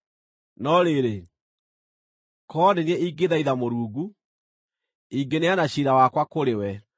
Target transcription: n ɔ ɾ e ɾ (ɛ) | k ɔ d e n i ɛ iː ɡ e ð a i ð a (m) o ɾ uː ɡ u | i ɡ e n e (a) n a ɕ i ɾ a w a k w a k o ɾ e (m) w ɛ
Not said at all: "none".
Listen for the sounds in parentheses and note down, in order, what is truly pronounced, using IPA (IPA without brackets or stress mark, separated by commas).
e, m, a, none